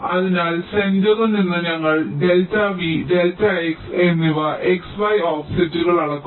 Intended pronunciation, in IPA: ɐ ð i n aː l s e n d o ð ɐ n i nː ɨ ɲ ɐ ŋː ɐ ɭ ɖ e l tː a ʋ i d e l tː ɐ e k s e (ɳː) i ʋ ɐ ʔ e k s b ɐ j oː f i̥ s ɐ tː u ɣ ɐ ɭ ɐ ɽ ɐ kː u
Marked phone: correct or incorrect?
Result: incorrect